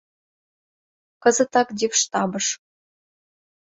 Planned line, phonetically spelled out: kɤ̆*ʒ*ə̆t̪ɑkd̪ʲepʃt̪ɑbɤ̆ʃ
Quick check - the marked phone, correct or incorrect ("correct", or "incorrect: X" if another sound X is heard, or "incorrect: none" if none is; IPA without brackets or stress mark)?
incorrect: z